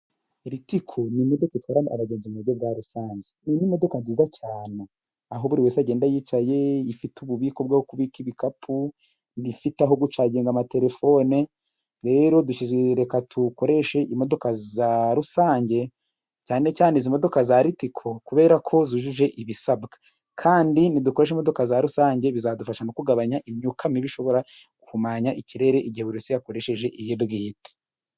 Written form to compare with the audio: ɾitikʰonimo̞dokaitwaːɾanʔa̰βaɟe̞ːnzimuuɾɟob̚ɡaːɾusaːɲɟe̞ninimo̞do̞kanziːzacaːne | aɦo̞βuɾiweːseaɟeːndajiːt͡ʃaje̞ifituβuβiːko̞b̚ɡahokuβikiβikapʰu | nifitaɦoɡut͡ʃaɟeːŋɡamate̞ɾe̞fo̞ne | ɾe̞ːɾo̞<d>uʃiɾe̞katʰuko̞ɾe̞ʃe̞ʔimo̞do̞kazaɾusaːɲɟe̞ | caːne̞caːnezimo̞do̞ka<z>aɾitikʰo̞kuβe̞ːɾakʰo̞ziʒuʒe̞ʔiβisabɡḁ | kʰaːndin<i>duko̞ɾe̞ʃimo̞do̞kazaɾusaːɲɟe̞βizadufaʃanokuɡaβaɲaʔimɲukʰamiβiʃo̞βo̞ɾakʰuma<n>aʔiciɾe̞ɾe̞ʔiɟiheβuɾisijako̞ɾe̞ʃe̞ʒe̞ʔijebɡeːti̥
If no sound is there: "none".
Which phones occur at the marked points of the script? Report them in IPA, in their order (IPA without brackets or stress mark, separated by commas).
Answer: d, z, i, ɲ